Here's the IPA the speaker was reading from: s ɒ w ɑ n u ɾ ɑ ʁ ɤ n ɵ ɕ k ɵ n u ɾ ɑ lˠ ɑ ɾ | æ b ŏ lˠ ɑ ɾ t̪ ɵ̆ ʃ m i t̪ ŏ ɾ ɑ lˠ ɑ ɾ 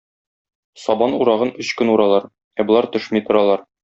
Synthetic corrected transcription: s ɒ b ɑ n u ɾ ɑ ʁ ɤ n ɵ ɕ k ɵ n u ɾ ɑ lˠ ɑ ɾ | æ b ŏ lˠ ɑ ɾ t̪ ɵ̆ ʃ m i t̪ ŏ ɾ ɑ lˠ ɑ ɾ